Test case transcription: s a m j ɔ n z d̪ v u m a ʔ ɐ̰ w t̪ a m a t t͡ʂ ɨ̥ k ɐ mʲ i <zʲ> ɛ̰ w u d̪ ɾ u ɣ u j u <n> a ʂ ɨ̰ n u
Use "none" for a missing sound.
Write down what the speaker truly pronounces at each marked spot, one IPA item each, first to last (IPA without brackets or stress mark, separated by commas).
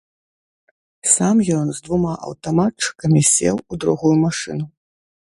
sʲ, m